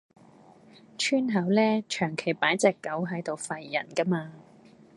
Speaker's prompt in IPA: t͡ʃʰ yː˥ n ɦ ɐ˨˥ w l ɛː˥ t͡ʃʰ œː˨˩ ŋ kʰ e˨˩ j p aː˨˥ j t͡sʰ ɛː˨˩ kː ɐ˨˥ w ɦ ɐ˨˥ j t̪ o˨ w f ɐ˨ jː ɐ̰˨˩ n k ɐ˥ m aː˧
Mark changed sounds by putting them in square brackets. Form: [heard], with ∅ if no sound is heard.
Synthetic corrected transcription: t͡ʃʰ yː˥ n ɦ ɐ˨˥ w l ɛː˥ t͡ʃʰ œː˨˩ ŋ kʰ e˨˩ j p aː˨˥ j [t͡s] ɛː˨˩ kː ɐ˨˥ w ɦ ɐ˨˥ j t̪ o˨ w f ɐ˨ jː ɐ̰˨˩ n k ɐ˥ m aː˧

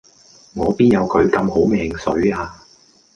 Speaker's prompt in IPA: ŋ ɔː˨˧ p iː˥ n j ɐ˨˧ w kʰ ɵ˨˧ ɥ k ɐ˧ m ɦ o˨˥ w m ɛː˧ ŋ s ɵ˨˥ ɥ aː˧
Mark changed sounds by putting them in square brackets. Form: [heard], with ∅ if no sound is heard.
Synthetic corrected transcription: ŋ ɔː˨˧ p iː˥ n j ɐ˨˧ w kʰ ɵ˨˧ ɥ k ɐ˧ m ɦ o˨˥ w m ɛː˧ ŋ s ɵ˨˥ ɥ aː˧

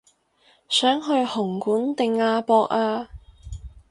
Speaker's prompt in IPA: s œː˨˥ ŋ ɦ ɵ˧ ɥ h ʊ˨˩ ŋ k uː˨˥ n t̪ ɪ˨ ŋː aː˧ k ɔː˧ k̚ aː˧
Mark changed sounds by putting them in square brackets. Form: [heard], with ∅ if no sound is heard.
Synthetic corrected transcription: s œː˨˥ ŋ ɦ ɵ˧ ɥ h ʊ˨˩ ŋ k uː˨˥ n t̪ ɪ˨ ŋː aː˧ [p] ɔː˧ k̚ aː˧

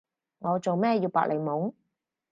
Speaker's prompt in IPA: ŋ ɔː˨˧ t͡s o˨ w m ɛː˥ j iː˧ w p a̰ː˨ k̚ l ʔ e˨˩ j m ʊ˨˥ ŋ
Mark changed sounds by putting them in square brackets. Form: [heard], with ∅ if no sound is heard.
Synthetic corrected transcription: ŋ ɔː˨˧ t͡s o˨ w m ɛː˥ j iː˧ w p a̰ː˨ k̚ l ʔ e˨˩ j m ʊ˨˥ ŋ

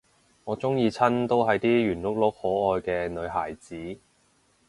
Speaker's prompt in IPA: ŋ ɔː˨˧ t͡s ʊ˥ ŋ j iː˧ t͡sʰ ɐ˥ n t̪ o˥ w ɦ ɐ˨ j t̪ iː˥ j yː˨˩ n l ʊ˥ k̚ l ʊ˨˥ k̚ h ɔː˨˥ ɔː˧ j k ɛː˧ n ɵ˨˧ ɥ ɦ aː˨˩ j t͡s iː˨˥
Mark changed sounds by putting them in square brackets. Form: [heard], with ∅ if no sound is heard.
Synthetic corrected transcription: ŋ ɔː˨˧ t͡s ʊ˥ ŋ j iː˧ t͡sʰ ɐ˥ n t̪ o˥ w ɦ ɐ˨ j t̪ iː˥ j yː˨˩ n l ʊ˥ k̚ l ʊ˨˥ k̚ h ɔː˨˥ ɔː˧ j k ɛː˧ n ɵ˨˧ ɥ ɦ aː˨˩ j t͡s iː˨˥

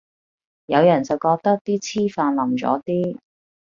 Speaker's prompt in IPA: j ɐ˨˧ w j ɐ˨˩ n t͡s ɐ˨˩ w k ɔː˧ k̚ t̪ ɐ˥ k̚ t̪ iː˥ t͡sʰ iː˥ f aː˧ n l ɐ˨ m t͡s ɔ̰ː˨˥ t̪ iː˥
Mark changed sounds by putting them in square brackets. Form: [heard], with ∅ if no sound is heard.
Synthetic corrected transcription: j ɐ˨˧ w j ɐ˨˩ n t͡s ɐ˨˩ w k ɔː˧ k̚ t̪ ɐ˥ k̚ t̪ iː˥ t͡sʰ iː˥ f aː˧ n l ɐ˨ m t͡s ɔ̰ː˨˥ t̪ iː˥

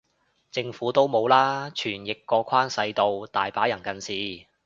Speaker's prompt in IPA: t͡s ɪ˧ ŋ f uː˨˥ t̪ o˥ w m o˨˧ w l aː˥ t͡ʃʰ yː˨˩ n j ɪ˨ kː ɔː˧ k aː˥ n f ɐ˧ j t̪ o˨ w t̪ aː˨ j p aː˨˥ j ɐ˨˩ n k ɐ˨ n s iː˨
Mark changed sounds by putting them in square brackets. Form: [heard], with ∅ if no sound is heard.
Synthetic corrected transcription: t͡s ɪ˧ ŋ f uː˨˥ t̪ o˥ w m o˨˧ w l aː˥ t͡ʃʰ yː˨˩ n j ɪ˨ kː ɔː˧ [kʰ] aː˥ n [s] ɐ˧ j t̪ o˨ w t̪ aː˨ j p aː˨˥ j ɐ˨˩ n k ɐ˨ n s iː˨

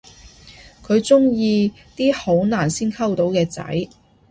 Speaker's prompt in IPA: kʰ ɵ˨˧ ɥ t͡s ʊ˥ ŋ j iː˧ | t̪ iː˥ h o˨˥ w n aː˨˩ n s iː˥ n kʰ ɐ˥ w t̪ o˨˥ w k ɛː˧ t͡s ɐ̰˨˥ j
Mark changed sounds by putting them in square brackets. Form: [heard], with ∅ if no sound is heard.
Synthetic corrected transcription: kʰ ɵ˨˧ ɥ t͡s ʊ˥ ŋ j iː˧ | t̪ iː˥ h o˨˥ w n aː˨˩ n s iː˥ n kʰ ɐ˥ w t̪ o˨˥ w k ɛː˧ t͡s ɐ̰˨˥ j

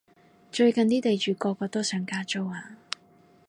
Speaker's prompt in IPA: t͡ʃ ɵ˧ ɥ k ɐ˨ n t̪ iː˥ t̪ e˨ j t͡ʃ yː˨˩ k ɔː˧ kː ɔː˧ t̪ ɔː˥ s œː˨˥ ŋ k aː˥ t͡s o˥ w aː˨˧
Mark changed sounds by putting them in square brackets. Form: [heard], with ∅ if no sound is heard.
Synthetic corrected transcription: t͡ʃ ɵ˧ ɥ k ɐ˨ n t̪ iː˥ t̪ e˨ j t͡ʃ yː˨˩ k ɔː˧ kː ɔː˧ t̪ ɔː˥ s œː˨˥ ŋ k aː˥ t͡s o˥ w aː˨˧

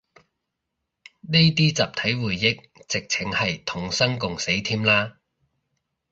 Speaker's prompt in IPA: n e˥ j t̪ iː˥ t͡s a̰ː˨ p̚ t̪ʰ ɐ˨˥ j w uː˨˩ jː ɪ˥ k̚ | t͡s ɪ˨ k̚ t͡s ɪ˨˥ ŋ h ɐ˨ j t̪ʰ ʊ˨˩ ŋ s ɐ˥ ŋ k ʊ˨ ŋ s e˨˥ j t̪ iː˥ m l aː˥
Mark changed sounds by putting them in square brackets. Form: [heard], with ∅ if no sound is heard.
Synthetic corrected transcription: n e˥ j t̪ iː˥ t͡s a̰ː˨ p̚ t̪ʰ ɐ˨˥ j w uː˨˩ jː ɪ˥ k̚ | t͡s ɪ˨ k̚ [t͡sʰ] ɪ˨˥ ŋ h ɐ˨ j t̪ʰ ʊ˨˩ ŋ s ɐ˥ ŋ k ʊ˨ ŋ s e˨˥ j [t̪ʰ] iː˥ m l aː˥

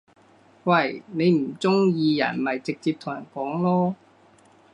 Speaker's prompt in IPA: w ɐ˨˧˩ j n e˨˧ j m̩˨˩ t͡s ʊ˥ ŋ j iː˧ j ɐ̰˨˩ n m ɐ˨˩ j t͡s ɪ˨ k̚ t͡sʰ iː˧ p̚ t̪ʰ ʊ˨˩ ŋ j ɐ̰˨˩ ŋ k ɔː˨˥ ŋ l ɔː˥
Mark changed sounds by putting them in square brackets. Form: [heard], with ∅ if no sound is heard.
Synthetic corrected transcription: w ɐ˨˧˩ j n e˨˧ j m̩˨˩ t͡s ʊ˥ ŋ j iː˧ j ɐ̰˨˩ n m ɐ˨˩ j t͡s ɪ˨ k̚ [t͡s] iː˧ p̚ t̪ʰ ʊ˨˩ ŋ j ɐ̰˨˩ [n] k ɔː˨˥ ŋ l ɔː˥

